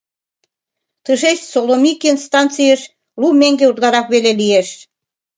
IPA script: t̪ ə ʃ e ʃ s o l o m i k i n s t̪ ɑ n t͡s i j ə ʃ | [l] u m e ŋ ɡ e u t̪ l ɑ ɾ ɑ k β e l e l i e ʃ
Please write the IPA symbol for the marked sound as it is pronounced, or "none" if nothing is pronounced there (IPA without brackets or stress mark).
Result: l